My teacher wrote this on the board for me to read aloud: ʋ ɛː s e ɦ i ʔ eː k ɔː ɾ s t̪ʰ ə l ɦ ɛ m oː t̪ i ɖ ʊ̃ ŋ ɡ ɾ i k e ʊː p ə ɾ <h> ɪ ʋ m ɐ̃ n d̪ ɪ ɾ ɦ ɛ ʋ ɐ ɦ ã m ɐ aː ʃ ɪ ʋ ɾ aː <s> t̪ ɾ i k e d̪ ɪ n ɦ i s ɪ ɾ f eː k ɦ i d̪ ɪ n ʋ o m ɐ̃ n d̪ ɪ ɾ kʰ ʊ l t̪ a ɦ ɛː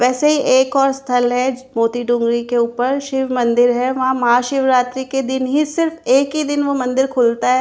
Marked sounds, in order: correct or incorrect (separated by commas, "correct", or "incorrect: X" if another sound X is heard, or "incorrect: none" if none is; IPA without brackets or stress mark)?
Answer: incorrect: ʃ, incorrect: none